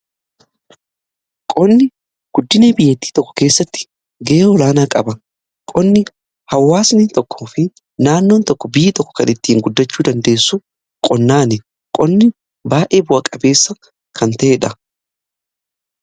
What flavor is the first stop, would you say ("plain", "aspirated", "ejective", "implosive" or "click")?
ejective